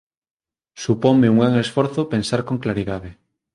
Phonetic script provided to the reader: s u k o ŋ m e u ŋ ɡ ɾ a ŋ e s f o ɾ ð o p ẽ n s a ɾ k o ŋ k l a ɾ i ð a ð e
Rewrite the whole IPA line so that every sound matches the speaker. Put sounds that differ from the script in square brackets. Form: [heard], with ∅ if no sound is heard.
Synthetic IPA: s u [p] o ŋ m e u ŋ ɡ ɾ a ŋ e s f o ɾ [θ] o p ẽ n s a ɾ k o ŋ k l a ɾ i ð a ð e

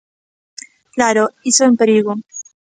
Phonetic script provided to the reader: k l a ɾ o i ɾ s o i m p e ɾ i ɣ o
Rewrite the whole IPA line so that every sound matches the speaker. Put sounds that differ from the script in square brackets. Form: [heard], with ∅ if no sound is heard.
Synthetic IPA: k l a ɾ o i [∅] s o [e] m p e ɾ i ɣ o

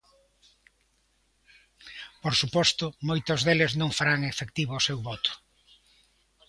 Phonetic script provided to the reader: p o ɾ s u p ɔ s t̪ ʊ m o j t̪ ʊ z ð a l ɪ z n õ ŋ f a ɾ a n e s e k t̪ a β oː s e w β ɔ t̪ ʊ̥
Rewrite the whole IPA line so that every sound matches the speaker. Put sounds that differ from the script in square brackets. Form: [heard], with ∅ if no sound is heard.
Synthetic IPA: p o ɾ s u p ɔ s t̪ ʊ m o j t̪ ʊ z ð [e] l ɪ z n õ ŋ f a ɾ a [ŋ] e [f] e k t̪ [i] β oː s e w β ɔ t̪ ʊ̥

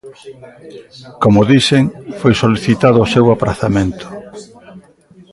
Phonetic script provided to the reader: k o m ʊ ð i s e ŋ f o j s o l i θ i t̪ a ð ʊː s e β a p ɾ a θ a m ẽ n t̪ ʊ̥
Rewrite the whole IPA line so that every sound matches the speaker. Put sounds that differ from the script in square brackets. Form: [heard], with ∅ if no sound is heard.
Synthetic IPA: k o m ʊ ð i s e ŋ f o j s o l i θ i t̪ a ð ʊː s e [w] a p ɾ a θ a m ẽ n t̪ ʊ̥

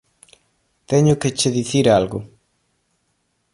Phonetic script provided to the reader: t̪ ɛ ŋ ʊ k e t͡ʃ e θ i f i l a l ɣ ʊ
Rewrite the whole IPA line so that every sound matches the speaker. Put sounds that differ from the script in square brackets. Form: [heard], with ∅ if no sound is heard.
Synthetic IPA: t̪ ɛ [ɲ] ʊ k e t͡ʃ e [ð] i [θ] i [ɾ] a l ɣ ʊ

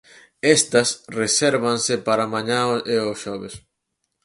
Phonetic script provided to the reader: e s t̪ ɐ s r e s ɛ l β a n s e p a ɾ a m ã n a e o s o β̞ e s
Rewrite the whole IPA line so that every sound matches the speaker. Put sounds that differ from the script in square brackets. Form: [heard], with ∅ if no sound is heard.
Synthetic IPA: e s t̪ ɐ s r e s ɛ [ɾ] β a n s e p a ɾ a m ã [ɲ] a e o [ʃ] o β̞ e s

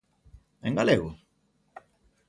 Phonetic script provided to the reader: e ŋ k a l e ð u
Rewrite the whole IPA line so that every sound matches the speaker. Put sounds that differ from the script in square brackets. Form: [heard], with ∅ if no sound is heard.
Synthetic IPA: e ŋ [ɡ] a l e [ɣ] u

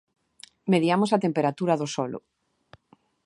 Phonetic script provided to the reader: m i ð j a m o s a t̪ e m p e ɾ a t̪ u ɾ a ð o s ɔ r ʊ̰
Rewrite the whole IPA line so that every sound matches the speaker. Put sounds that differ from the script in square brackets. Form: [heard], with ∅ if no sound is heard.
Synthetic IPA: m [e] ð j a m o s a t̪ e m p e ɾ a t̪ u ɾ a ð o s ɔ [l] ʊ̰

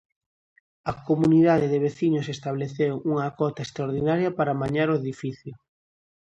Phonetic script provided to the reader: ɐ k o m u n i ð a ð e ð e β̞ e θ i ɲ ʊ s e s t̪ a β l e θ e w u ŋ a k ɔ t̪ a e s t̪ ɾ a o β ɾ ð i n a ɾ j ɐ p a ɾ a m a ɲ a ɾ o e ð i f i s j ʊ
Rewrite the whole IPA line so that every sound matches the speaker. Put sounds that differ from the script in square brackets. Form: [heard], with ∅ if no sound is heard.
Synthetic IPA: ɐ k o m u n i ð a ð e ð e β̞ e θ i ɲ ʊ s e s t̪ a β l e θ e w u ŋ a k ɔ t̪ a e s t̪ ɾ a o [∅] ɾ ð i n a ɾ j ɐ p a ɾ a m a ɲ a ɾ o e ð i f i [θ] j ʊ

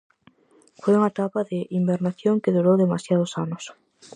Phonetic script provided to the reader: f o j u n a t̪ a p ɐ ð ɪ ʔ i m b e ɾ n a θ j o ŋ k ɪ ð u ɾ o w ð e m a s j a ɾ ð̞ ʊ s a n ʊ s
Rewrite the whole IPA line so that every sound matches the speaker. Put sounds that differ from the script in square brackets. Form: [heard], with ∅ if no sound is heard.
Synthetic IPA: f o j u [ŋ] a t̪ a p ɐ ð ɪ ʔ i m b e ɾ n a θ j o ŋ k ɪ ð u ɾ o w ð e m a s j a [∅] ð̞ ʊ s a n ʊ s

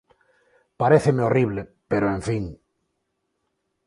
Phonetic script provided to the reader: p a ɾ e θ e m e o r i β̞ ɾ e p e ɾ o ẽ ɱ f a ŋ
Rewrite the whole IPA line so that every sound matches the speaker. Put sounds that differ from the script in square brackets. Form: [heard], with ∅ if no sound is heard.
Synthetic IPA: p a ɾ e θ e m e o r i β̞ [l] e p e ɾ o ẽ ɱ f [i] ŋ

